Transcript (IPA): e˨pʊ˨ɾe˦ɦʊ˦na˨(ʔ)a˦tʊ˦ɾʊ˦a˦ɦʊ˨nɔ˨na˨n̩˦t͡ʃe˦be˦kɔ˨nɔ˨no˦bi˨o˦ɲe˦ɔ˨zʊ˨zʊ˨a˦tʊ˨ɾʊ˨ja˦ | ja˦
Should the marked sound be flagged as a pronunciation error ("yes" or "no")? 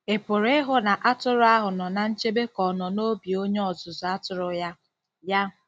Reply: no